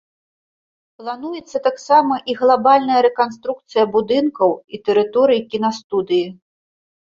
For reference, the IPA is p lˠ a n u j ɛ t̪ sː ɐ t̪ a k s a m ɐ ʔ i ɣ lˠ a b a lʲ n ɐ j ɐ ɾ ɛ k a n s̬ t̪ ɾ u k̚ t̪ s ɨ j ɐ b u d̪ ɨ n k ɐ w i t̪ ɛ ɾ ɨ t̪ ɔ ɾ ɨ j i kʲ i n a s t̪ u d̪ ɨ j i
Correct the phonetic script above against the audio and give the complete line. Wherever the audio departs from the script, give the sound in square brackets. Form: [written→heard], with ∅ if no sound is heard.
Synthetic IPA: p lˠ a n u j ɛ t̪ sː ɐ t̪ a k s a m ɐ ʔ i ɣ lˠ a b a lʲ n ɐ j ɐ ɾ ɛ k a n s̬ t̪ ɾ u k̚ t̪ s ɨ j ɐ b u d̪ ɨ n k ɐ w i t̪ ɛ ɾ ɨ t̪ ɔ ɾ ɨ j i kʲ i n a s t̪ u d̪ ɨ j i